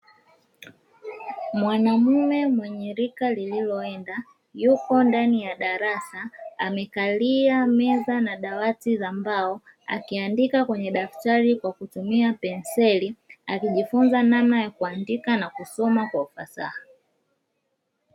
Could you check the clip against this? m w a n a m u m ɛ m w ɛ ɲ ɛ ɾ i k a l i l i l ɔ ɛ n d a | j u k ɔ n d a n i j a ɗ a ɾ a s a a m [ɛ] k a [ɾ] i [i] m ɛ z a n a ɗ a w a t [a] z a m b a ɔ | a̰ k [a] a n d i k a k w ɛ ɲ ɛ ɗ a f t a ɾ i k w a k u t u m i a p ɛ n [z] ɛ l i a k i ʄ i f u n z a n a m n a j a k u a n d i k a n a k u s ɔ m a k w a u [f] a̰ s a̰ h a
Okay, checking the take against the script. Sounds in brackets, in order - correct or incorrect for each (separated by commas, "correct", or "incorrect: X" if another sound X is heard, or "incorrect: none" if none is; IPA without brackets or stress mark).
correct, incorrect: l, incorrect: a, incorrect: i, incorrect: i, incorrect: s, correct